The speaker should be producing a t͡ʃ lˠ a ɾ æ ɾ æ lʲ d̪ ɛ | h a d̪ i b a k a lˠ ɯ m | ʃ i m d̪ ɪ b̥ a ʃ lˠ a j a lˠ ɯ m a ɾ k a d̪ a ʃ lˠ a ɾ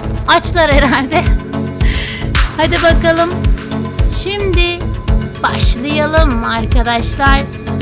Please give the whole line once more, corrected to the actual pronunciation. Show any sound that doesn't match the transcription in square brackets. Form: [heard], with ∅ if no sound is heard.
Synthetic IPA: a t͡ʃ lˠ a ɾ [e] ɾ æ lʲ d̪ ɛ | h a d̪ i b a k a lˠ ɯ m | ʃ i m d̪ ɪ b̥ a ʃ lˠ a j a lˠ ɯ m a ɾ k a d̪ a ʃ lˠ a ɾ